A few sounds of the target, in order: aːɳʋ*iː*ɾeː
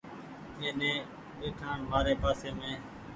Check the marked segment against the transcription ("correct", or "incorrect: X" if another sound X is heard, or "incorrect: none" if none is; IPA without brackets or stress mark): incorrect: aː